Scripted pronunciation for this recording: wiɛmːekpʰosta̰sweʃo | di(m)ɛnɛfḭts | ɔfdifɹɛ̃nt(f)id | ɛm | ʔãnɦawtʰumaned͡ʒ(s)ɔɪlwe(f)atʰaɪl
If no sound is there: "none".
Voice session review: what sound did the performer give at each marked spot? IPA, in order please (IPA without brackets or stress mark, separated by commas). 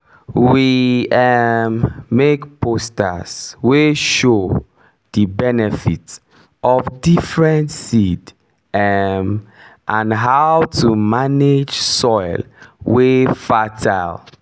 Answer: b, s, s, f